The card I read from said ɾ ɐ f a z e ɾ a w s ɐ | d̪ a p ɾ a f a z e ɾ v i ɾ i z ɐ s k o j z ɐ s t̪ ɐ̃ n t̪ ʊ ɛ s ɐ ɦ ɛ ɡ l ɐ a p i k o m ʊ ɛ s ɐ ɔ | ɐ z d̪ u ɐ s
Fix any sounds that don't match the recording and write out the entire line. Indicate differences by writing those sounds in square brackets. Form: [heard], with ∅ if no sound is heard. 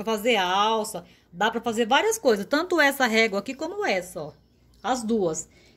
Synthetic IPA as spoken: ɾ ɐ f a z e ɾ a w s ɐ | d̪ a p ɾ [ɐ] f a z e ɾ v [a] ɾ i [∅] ɐ s k o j z ɐ s t̪ ɐ̃ n t̪ ʊ ɛ s ɐ ɦ ɛ ɡ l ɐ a [k] i k [õ] m ʊ ɛ s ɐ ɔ | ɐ z d̪ u ɐ s